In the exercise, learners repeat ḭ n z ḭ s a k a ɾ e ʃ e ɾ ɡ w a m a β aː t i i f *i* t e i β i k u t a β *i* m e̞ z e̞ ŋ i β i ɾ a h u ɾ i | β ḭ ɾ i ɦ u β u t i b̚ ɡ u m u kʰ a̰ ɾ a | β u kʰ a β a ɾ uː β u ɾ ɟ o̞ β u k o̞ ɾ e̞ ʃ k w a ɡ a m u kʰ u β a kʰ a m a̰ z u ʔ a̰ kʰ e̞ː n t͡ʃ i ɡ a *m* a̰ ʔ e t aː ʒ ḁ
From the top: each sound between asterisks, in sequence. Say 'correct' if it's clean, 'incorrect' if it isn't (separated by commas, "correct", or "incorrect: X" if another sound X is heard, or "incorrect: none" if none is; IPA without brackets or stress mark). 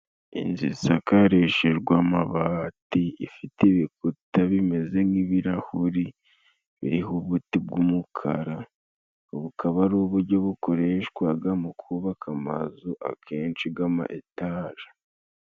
correct, correct, correct